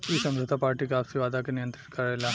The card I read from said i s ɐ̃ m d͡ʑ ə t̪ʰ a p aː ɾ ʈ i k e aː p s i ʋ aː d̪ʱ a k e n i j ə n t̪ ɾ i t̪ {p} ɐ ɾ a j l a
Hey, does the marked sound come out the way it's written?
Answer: no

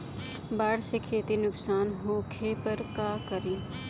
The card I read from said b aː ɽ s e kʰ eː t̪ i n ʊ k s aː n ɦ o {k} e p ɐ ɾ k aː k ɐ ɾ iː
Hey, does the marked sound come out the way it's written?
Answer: no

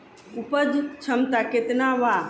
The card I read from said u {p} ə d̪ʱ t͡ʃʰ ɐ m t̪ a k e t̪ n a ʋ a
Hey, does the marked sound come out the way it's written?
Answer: yes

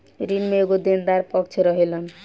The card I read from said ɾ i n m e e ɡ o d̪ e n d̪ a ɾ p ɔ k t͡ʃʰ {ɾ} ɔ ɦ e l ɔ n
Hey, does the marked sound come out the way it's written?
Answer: yes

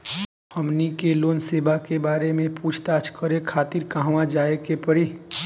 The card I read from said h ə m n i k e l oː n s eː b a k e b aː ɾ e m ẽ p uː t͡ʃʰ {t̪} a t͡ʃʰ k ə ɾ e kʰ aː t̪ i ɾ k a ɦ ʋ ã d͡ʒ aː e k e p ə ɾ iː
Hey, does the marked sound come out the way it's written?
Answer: yes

